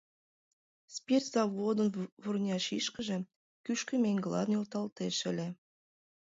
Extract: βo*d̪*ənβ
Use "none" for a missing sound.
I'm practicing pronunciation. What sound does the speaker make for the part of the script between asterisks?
d̪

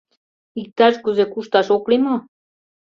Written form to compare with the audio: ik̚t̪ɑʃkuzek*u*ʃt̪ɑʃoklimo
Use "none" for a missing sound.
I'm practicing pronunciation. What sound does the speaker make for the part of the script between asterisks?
u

